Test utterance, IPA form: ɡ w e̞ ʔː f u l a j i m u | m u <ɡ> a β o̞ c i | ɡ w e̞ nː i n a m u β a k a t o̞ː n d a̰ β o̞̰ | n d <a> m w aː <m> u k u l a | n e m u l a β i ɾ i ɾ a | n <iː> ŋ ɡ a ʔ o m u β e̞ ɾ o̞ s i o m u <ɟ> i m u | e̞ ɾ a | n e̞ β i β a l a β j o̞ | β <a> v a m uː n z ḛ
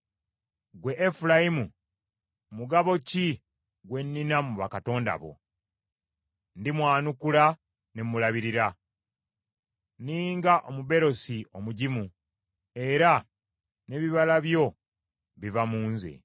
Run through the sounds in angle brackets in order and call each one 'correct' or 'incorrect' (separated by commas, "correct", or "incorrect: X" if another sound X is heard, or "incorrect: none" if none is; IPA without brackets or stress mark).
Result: correct, incorrect: i, incorrect: n, correct, correct, incorrect: i